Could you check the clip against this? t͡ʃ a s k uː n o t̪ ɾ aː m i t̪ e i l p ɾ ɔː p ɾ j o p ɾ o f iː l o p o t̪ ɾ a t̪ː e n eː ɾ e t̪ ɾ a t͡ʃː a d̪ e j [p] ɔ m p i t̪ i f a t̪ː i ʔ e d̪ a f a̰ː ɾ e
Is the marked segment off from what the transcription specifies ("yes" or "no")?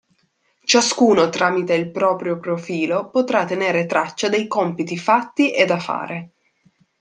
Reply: yes